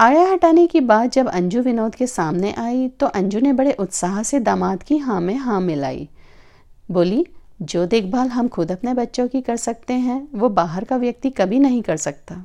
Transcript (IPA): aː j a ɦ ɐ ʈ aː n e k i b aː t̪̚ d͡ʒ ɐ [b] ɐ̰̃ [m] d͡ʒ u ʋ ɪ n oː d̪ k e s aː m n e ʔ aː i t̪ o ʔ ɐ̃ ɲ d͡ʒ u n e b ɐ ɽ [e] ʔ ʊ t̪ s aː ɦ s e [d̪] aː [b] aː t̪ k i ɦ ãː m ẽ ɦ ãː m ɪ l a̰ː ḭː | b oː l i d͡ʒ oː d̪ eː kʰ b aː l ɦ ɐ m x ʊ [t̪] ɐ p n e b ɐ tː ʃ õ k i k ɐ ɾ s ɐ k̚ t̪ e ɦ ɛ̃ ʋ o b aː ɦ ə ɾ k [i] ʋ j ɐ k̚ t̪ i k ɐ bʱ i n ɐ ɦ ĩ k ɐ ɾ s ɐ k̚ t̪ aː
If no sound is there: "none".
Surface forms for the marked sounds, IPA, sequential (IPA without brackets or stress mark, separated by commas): b, ɲ, e, d̪, m, d̪, a